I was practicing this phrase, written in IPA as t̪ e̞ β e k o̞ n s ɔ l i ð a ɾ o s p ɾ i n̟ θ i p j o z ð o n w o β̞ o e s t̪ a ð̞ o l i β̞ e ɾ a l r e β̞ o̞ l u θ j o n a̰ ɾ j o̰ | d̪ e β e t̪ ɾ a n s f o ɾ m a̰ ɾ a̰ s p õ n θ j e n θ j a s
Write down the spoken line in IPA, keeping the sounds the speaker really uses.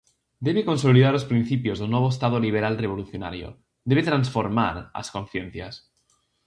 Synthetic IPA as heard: d̪ e̞ β e k o̞ n s o l i ð a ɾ o s p ɾ i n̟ θ i p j o z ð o n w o β̞ o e s t̪ a ð̞ o l i β̞ e ɾ a l r e β̞ o̞ l u θ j o n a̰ ɾ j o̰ | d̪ e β e t̪ ɾ a n s f o ɾ m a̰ ɾ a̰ s k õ n θ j e n θ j a s